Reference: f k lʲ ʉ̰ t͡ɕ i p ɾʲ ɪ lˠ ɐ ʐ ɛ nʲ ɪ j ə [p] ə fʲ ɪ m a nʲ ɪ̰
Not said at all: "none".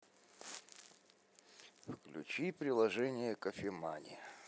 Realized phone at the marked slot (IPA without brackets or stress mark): k